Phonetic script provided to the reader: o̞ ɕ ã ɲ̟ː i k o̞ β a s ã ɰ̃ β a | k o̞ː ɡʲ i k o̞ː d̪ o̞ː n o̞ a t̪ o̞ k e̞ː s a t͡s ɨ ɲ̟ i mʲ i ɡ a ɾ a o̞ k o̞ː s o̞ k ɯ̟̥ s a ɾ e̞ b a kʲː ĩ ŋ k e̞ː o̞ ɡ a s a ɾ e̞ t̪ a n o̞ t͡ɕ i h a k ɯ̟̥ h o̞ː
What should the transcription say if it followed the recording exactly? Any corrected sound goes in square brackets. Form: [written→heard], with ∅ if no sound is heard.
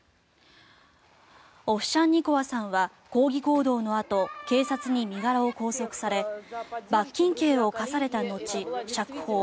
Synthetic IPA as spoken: o̞ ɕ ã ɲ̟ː i k o̞ β a s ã ɰ̃ β a | k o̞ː ɡʲ i k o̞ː d̪ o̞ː n o̞ a t̪ o̞ k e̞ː s a t͡s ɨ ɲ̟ i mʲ i ɡ a ɾ a o̞ k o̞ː s o̞ k ɯ̟̥ s a ɾ e̞ b a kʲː ĩ ŋ k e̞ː o̞ [ɡ→k] a s a ɾ e̞ t̪ a n o̞ t͡ɕ i [h→ɕ] a k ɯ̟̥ h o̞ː